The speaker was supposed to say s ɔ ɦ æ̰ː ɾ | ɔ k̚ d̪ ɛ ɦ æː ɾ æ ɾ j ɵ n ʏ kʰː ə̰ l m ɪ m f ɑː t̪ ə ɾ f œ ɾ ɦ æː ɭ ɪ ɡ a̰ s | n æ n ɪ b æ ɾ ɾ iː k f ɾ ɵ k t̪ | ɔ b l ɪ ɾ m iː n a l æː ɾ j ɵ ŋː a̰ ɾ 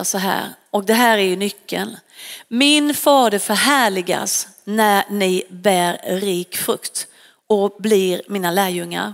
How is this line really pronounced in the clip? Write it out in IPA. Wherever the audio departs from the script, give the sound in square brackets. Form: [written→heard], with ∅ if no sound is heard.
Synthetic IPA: s ɔ ɦ æ̰ː ɾ | ɔ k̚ d̪ ɛ ɦ æː ɾ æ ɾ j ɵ n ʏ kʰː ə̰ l m ɪ [m→n] f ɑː [t̪→d̪] ə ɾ f œ ɾ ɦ æː ɭ ɪ ɡ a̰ s | n æ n ɪ b [æ→æː] ɾ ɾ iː k f ɾ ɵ k t̪ | ɔ b l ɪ ɾ m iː n a l æː ɾ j ɵ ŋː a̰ ɾ